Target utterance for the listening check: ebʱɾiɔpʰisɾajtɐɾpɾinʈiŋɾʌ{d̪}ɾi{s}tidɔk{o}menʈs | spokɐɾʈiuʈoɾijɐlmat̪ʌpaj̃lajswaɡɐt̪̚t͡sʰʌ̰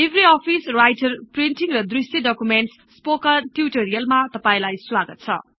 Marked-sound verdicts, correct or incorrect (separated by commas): correct, correct, incorrect